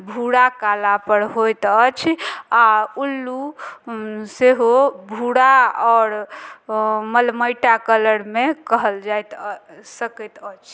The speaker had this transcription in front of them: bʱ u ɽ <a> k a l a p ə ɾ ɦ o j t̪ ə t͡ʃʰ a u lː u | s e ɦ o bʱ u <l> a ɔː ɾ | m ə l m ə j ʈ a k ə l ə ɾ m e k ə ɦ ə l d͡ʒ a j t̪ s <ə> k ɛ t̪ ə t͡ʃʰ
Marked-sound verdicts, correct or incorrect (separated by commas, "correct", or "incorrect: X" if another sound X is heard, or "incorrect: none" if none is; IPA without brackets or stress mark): correct, incorrect: ɽ, correct